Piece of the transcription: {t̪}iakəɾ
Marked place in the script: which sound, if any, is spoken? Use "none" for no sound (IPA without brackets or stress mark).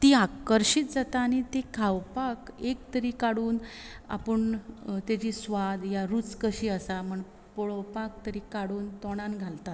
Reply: t̪